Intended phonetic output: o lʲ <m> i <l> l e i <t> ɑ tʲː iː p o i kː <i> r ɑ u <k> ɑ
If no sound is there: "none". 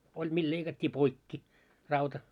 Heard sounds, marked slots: m, l, k, i, t

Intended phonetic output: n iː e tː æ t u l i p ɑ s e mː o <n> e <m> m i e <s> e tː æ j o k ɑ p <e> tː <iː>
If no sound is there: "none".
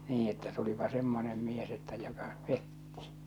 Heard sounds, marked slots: n, m, s, e, i

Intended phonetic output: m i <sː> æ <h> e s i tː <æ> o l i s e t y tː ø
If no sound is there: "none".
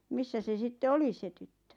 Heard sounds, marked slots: sː, s, e

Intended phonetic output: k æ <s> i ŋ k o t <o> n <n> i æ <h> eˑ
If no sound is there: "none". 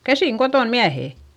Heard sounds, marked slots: s, o, m, h

